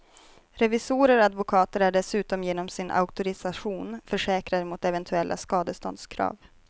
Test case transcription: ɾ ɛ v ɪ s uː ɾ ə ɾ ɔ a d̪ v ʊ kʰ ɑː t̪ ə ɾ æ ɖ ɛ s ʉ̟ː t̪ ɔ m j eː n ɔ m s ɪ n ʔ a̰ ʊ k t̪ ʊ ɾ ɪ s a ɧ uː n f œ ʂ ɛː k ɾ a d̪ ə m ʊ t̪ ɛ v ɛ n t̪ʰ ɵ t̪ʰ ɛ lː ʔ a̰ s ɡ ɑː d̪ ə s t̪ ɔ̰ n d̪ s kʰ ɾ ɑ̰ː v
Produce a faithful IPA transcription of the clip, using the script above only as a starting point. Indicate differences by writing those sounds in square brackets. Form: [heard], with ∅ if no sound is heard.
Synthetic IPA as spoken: ɾ ɛ v ɪ s uː ɾ ə ɾ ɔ a d̪ v ʊ kʰ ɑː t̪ ə ɾ æ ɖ ɛ s ʉ̟ː t̪ ɔ m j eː n ɔ m s ɪ n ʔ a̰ ʊ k t̪ ʊ ɾ ɪ s a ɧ uː n f œ ʂ ɛː k ɾ a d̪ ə m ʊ t̪ ɛ v ɛ n t̪ʰ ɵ [∅] ɛ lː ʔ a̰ s [k] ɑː d̪ ə s t̪ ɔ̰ n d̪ s kʰ ɾ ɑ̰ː v

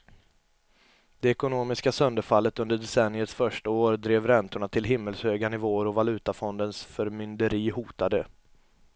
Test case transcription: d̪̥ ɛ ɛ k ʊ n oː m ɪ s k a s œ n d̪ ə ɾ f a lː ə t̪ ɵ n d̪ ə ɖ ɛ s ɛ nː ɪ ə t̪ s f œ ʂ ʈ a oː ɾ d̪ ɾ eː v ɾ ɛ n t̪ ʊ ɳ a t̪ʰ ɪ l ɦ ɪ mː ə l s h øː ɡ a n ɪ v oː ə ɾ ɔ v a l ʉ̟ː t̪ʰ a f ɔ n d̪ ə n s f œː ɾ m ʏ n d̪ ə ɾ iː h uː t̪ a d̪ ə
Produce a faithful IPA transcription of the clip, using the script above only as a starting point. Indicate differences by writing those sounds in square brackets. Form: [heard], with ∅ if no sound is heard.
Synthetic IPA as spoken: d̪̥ ɛ ɛ k ʊ n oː m ɪ s k a s œ n d̪ ə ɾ f a lː ə t̪ ɵ n d̪ ə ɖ ɛ s ɛ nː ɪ ə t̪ s f œ ʂ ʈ a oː ɾ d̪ ɾ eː v ɾ ɛ n t̪ ʊ ɳ a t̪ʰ ɪ l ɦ ɪ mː ə l s h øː ɡ a n ɪ v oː ə ɾ ɔ v a l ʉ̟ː [t̪] a f ɔ n d̪ ə n s f [œ] ɾ m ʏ n d̪ ə ɾ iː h uː t̪ a d̪ ə

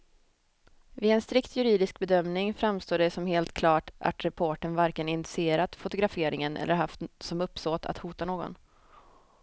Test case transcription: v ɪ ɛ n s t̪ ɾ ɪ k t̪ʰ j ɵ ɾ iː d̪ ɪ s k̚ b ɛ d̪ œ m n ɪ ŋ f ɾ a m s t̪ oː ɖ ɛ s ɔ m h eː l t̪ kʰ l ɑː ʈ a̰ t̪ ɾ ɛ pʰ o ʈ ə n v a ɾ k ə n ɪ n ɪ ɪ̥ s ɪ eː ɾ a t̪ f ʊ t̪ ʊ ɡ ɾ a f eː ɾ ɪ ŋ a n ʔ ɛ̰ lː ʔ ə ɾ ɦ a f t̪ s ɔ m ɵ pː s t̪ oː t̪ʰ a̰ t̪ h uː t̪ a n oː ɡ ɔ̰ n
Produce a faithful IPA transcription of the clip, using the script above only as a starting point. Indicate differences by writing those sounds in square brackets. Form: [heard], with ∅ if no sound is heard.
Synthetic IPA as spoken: v ɪ ɛ n s t̪ ɾ ɪ k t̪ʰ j ɵ ɾ iː d̪ ɪ s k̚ b ɛ d̪ œ m n ɪ ŋ f ɾ a m s t̪ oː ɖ ɛ s ɔ m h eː l t̪ kʰ l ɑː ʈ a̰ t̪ ɾ ɛ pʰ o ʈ ə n v a ɾ k ə n ɪ n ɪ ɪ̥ s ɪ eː ɾ a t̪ f ʊ t̪ ʊ ɡ ɾ a f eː ɾ ɪ ŋ [ə] n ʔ ɛ̰ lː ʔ ə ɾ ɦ a f t̪ s ɔ m ɵ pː s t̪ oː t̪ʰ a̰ t̪ h uː t̪ a n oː ɡ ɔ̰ n

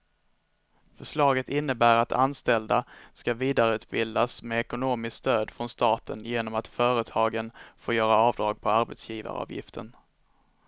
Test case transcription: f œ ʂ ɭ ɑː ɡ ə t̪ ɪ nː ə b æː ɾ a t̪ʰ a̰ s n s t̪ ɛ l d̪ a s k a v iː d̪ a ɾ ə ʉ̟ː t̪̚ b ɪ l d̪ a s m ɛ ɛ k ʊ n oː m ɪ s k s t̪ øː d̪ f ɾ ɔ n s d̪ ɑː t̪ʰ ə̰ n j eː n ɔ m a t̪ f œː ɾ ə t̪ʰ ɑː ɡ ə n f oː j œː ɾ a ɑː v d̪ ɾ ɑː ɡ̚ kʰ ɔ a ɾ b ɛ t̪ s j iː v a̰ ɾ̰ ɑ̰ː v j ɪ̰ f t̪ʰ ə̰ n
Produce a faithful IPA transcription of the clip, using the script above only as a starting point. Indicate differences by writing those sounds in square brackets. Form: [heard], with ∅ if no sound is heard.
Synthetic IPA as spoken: f œ ʂ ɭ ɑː ɡ ə t̪ ɪ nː ə b æː ɾ a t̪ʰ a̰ [∅] n s t̪ ɛ l d̪ a s k a v iː d̪ a ɾ ə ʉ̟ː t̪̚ b ɪ l d̪ a s m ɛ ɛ k ʊ n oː m ɪ s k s t̪ øː d̪ f ɾ ɔ n s [t̪] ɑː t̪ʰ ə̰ n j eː n ɔ m a t̪ f œː ɾ ə t̪ʰ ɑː ɡ ə n f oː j œː ɾ a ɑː v d̪ ɾ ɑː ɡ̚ [pʰ] ɔ a ɾ b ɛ t̪ s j iː v a̰ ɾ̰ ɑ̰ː v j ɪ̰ f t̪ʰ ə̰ n

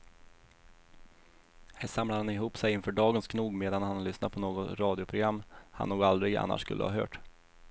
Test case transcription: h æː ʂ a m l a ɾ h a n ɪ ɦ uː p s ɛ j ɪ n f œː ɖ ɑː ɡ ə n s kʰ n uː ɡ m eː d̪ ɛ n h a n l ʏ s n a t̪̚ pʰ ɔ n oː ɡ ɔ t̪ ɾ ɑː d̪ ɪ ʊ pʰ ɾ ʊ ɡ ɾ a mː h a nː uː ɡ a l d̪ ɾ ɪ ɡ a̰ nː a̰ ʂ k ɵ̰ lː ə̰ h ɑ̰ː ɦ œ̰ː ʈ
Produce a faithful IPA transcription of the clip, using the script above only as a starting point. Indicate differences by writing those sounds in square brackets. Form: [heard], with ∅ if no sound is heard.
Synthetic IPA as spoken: h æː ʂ a m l a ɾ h a n ɪ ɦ uː p s ɛ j ɪ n f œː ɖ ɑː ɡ ə n s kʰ n uː ɡ m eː d̪ [a] n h a n l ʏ s n a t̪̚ pʰ ɔ n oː ɡ ɔ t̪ ɾ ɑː d̪ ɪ ʊ pʰ ɾ ʊ ɡ ɾ a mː h a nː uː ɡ a l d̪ ɾ ɪ ɡ a̰ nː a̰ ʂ k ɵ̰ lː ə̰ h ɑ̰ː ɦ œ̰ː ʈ

